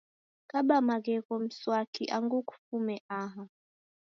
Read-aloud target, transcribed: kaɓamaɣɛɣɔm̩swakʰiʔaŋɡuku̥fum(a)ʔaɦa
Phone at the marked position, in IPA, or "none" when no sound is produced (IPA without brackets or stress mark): ɛ